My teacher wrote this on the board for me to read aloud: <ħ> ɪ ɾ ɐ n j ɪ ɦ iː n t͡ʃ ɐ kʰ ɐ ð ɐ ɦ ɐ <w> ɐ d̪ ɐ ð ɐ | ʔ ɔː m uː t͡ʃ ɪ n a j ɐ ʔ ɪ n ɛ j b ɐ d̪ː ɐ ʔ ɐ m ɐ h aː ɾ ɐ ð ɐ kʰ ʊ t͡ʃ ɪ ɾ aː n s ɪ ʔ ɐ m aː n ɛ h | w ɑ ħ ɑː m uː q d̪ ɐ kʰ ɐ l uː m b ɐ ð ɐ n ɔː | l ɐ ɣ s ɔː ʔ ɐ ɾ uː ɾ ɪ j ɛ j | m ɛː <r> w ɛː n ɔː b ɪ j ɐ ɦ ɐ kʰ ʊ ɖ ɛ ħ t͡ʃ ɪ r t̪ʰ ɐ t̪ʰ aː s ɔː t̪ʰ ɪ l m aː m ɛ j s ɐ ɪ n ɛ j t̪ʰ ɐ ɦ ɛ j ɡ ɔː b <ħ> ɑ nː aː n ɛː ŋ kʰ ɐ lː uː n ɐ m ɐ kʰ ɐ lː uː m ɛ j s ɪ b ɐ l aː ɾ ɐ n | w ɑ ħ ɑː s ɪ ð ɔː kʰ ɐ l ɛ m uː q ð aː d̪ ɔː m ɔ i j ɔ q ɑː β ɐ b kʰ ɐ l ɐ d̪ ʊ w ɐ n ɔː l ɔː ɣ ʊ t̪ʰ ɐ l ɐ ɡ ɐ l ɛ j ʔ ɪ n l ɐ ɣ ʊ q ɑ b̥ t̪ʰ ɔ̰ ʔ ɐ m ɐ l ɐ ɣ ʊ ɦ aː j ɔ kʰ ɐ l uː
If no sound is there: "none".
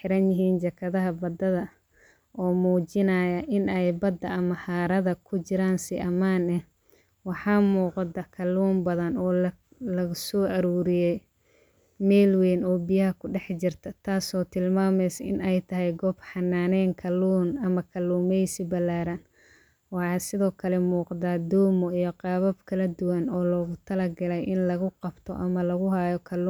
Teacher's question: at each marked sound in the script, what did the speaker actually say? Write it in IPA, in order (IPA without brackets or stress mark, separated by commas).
ħ, b, l, ħ